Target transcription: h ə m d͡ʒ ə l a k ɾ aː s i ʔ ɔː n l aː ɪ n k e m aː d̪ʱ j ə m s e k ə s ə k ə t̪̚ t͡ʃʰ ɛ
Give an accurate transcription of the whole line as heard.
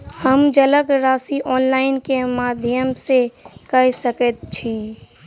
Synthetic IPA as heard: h ə m d͡ʒ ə l ə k ɾ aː s i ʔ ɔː n l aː ɪ n k e m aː d̪ʱ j ə m s e k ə s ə k ə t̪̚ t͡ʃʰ i